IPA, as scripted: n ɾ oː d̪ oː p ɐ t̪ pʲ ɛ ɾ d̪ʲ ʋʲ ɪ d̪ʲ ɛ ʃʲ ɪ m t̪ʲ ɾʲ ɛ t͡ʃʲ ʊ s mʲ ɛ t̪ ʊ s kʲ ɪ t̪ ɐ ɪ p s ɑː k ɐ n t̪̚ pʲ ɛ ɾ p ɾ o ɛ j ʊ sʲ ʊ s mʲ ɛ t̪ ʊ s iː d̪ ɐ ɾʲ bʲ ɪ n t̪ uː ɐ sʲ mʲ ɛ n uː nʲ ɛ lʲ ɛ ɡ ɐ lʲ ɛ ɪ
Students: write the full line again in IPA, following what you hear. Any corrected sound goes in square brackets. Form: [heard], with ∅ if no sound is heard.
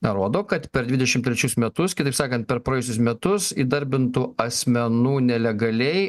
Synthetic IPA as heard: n ɾ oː d̪ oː [k] ɐ t̪ pʲ ɛ ɾ d̪ʲ ʋʲ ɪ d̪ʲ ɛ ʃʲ ɪ m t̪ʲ ɾʲ ɛ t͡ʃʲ ʊ s mʲ ɛ t̪ ʊ s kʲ ɪ t̪ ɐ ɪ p s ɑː k ɐ n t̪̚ pʲ ɛ ɾ p ɾ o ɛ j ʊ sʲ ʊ s mʲ ɛ t̪ ʊ s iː d̪ ɐ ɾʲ bʲ ɪ n t̪ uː ɐ sʲ mʲ ɛ n uː nʲ ɛ lʲ ɛ ɡ ɐ lʲ ɛ ɪ